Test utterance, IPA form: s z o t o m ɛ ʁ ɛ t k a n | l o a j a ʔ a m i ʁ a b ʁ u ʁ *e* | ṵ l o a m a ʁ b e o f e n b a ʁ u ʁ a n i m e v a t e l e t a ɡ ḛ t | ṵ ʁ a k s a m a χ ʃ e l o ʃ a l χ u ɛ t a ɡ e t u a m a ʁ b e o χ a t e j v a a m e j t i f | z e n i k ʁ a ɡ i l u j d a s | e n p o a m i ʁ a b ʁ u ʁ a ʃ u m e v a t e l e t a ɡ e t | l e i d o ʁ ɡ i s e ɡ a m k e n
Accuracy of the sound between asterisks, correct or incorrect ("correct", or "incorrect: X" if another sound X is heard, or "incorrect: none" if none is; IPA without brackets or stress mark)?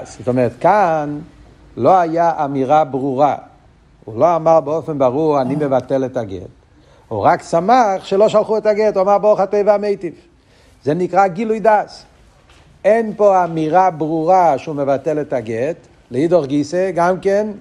incorrect: a